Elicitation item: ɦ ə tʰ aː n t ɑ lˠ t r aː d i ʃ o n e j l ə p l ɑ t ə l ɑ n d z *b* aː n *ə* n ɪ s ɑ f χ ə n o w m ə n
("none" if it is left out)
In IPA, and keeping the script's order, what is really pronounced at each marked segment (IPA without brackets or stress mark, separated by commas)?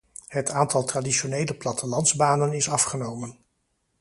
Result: b, ə